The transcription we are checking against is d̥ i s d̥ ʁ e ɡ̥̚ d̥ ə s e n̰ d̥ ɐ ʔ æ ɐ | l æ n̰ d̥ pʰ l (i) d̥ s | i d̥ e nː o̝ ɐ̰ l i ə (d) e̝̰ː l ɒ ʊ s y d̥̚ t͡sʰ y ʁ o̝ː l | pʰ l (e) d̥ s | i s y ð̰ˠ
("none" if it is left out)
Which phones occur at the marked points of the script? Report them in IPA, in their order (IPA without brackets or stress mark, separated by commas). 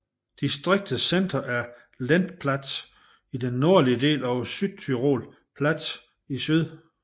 æ, d, æ